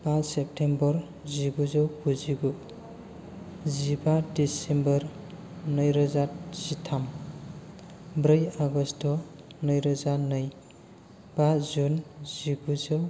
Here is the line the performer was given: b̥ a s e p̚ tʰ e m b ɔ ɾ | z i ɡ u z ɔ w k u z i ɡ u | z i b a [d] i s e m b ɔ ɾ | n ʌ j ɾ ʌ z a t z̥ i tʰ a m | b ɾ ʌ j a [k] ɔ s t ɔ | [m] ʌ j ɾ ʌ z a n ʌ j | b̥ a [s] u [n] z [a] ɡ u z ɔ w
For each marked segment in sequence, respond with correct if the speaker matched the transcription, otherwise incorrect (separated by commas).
correct, incorrect, incorrect, incorrect, correct, incorrect